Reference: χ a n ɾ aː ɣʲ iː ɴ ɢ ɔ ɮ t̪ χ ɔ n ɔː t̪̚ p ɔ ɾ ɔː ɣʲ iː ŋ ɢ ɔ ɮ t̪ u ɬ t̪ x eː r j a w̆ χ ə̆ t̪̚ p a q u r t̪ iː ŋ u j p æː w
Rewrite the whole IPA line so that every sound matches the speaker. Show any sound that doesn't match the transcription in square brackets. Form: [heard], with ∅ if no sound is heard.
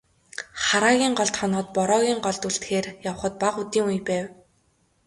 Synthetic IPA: χ a [∅] ɾ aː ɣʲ iː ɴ ɢ ɔ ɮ t̪ χ ɔ n ɔː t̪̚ p ɔ ɾ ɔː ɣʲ iː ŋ ɢ ɔ ɮ t̪ u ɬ t̪ x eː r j a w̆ χ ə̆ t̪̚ p a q u [∅] t̪ iː ŋ u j p æː w